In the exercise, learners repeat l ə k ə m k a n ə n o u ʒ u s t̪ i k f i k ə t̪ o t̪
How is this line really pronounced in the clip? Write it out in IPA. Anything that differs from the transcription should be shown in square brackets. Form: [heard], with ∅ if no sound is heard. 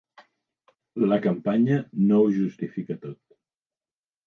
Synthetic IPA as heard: l ə k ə m [p] a [ɲ] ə n o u ʒ u s t̪ i [∅] f i k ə t̪ o t̪